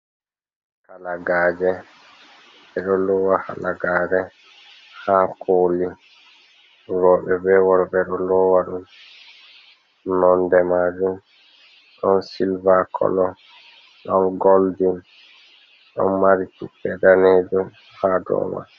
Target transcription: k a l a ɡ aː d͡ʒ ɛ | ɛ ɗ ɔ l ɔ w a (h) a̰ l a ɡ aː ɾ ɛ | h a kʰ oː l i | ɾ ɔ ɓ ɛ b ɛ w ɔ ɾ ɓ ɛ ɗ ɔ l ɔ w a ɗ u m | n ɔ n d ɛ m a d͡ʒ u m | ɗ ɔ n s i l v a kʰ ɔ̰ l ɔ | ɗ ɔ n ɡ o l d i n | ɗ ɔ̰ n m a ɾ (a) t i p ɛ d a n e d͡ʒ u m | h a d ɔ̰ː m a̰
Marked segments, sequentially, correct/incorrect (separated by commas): correct, incorrect